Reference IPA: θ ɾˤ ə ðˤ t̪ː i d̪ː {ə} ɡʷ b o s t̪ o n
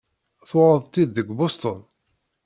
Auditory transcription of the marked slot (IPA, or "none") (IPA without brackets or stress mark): ə